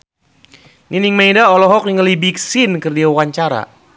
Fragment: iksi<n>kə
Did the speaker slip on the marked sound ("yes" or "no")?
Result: no